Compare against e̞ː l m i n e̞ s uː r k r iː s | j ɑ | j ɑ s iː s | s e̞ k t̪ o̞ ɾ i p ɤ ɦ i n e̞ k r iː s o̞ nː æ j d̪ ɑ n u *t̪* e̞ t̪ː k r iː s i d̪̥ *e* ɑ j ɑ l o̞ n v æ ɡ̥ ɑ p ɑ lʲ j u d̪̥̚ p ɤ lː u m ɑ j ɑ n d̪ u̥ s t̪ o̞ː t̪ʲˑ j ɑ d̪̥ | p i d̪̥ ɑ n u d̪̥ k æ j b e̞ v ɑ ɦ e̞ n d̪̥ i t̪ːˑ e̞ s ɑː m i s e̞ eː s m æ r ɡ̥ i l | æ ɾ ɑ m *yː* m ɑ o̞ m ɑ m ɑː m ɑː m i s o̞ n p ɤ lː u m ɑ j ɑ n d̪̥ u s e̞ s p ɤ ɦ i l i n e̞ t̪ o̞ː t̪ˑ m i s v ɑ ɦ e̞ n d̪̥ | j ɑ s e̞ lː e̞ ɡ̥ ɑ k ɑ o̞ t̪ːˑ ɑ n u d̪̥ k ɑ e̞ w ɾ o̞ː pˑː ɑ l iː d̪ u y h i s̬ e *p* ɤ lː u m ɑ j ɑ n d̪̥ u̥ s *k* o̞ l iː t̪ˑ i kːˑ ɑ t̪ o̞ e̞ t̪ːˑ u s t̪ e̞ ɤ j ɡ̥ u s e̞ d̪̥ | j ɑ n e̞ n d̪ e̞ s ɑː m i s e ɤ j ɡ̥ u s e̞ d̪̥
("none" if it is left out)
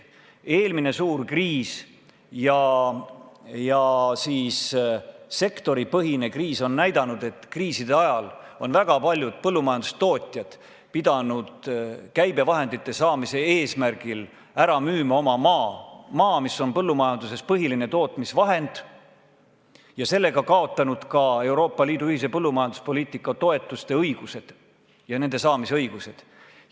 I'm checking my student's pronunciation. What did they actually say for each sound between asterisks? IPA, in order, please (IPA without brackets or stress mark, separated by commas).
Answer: d̪, e, yː, p, p